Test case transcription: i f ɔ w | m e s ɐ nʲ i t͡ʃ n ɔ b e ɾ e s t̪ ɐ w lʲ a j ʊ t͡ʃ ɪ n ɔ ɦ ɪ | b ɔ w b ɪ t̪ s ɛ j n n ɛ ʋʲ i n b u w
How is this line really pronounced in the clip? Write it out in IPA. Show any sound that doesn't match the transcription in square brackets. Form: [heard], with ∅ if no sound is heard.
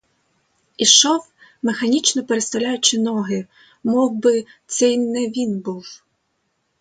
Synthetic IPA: i [ʃ] ɔ w | m e [x] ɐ nʲ i t͡ʃ n ɔ [p] e ɾ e s t̪ ɐ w lʲ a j ʊ t͡ʃ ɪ n ɔ ɦ ɪ | [m] ɔ w b ɪ t̪ s ɛ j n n ɛ ʋʲ i n b u w